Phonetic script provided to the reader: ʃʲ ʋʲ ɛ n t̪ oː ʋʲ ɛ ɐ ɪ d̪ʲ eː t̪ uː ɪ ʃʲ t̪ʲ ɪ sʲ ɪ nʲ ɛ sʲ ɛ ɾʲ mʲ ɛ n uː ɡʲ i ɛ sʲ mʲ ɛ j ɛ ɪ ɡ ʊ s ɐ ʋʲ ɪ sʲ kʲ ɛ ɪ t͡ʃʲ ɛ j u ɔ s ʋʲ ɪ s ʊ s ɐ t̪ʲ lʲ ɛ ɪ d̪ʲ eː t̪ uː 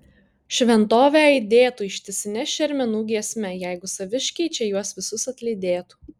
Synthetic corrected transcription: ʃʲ ʋʲ ɛ n t̪ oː ʋʲ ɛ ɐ ɪ d̪ʲ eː t̪ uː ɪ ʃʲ t̪ʲ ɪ sʲ ɪ nʲ ɛ ʃʲ ɛ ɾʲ mʲ ɛ n uː ɡʲ i ɛ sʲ mʲ ɛ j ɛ ɪ ɡ ʊ s ɐ ʋʲ ɪ ʃʲ kʲ ɛ ɪ t͡ʃʲ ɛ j u ɔ s ʋʲ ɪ s ʊ s ɐ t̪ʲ lʲ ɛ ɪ d̪ʲ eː t̪ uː